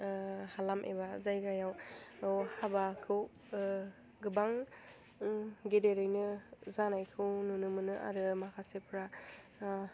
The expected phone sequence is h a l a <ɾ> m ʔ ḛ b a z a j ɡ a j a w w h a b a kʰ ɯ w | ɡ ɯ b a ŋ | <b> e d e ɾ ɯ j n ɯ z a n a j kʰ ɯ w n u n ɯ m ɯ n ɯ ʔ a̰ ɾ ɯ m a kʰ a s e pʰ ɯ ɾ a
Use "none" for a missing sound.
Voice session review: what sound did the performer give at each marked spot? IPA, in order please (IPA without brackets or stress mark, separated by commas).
none, ɡ